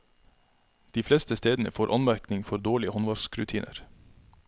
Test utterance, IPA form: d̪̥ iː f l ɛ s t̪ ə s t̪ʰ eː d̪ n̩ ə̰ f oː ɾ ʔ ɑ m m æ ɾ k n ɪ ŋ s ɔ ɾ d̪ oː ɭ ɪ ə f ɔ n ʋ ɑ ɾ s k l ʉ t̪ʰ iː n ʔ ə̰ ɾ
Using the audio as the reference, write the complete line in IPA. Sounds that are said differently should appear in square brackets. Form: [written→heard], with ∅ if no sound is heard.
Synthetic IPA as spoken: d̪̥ iː f l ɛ s t̪ ə s [t̪ʰ→t̪] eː d̪ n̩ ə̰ f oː ɾ ʔ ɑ [m→n] m æ ɾ k n ɪ ŋ [s→f] ɔ ɾ d̪ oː ɭ ɪ ə [f→h] ɔ n ʋ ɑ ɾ s k [l→ɾ] ʉ t̪ʰ iː n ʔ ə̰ ɾ